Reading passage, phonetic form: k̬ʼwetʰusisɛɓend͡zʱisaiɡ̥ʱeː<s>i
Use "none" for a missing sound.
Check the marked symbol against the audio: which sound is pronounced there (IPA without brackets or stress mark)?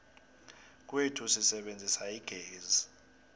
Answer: z